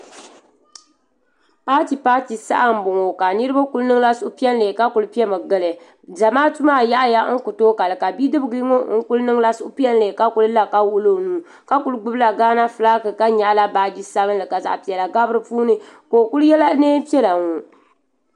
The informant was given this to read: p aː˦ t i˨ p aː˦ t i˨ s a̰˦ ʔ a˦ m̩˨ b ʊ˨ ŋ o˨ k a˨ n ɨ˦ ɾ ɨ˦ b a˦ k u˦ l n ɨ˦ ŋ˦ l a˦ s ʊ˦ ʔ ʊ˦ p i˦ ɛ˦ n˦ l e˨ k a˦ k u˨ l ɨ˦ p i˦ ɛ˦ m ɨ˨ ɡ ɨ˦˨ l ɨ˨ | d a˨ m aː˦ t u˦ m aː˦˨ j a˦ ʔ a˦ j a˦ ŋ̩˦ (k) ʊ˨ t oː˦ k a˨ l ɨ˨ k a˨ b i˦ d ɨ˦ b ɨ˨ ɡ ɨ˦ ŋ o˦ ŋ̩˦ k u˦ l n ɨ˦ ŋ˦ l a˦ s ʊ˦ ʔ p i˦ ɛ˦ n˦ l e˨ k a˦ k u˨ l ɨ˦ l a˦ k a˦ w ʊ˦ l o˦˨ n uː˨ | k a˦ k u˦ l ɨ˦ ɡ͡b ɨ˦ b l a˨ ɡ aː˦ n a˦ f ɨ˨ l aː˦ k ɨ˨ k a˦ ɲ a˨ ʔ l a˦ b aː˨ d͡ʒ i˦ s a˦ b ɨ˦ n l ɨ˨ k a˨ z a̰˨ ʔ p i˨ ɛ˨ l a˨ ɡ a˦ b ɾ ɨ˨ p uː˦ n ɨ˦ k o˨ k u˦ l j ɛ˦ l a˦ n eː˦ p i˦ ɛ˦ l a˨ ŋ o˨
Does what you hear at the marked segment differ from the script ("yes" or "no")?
no